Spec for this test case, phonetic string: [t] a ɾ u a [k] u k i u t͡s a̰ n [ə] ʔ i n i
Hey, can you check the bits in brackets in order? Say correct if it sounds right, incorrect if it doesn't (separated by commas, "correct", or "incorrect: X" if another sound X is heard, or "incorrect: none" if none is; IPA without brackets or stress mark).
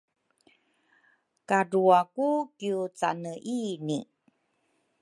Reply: incorrect: k, correct, correct